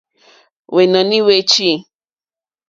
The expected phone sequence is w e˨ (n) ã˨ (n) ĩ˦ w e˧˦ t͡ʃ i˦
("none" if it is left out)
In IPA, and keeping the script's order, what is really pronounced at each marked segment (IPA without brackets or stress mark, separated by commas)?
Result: n, n